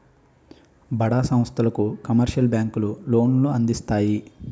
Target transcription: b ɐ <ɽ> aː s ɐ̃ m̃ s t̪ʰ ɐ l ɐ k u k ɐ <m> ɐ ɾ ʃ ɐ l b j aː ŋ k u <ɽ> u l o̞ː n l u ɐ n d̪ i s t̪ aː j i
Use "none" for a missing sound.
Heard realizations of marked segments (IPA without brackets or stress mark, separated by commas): ɽ, m, l